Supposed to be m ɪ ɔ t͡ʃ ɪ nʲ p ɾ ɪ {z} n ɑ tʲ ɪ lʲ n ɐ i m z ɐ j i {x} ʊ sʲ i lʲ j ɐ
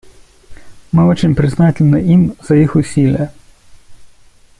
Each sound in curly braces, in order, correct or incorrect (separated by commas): correct, correct